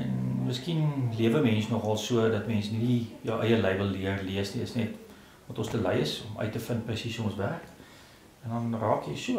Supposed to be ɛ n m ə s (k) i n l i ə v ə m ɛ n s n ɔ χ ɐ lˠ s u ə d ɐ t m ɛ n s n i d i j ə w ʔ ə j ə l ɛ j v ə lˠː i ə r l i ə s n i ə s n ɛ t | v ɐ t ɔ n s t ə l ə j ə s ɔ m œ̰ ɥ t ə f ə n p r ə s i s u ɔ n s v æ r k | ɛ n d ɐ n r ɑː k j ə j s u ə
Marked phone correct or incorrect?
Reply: correct